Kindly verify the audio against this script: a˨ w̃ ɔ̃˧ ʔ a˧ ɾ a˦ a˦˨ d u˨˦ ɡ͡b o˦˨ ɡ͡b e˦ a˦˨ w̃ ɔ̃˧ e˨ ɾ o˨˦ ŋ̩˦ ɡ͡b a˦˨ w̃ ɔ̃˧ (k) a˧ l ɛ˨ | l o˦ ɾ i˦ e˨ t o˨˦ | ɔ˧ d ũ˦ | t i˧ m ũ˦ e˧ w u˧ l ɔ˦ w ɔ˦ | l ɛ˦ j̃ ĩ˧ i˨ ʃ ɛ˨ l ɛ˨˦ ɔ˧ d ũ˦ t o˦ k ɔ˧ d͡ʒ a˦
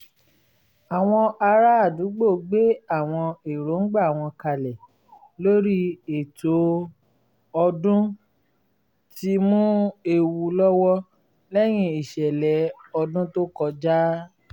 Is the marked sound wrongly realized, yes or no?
no